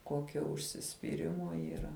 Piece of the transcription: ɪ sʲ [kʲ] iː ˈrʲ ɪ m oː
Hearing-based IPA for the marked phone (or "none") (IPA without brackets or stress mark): pʲ